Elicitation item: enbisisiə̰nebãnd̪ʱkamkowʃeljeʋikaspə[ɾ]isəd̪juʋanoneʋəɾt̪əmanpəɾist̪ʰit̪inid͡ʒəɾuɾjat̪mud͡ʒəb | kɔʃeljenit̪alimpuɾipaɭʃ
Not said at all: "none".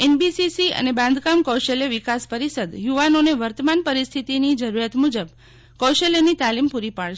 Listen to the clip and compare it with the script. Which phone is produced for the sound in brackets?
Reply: ɾ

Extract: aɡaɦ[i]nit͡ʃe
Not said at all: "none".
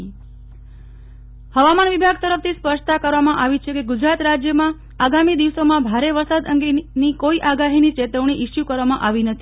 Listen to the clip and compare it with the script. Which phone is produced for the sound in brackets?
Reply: i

